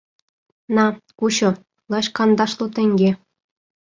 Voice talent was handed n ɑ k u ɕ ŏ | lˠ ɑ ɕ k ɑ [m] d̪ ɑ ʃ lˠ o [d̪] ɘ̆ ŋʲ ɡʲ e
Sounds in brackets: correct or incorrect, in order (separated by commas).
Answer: incorrect, incorrect